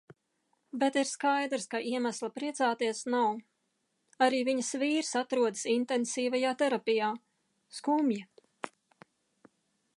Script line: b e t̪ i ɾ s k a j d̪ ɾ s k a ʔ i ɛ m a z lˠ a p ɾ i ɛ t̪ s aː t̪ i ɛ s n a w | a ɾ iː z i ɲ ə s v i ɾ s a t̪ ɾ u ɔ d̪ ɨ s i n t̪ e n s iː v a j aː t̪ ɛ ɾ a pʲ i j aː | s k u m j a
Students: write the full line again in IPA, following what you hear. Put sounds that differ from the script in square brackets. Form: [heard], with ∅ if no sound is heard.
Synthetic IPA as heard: b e t̪ i ɾ s k a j d̪ ɾ s k a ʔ i ɛ m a [s] lˠ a p ɾ i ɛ t̪ s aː t̪ i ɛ s n a w | a ɾ iː [v] i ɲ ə s v [iː] ɾ s a t̪ ɾ u ɔ d̪ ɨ s i n t̪ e n s iː v a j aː t̪ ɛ ɾ a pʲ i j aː | s k u m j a